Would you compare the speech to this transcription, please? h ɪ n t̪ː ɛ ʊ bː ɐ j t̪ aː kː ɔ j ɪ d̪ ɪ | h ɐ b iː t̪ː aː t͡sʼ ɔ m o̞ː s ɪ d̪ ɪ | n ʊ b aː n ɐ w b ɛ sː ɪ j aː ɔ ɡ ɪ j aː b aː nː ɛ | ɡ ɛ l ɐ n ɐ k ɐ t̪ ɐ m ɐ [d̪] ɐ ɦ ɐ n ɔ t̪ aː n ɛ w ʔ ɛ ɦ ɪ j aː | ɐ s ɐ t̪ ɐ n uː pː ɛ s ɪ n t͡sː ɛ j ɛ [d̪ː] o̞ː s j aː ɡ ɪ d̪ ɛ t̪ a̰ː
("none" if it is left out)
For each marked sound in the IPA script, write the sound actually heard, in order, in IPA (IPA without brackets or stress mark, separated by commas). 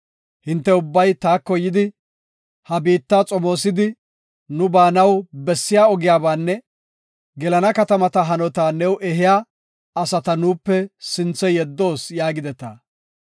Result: t̪, d̪ː